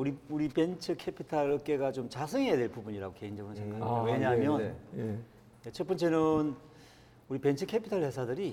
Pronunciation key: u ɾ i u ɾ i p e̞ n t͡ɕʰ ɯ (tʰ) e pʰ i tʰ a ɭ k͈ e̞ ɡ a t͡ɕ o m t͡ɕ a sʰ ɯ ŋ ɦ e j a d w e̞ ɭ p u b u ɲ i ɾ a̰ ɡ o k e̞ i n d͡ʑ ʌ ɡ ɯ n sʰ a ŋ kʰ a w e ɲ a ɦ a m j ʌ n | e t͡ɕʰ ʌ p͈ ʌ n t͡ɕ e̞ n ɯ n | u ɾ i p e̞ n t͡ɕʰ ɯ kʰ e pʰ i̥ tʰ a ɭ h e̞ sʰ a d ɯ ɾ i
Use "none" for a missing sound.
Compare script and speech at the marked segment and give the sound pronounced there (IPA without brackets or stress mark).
kʰ